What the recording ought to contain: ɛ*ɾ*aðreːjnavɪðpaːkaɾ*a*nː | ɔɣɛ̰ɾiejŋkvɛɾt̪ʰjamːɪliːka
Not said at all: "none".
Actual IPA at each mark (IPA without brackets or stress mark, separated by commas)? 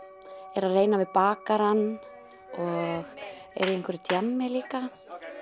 ɾ, a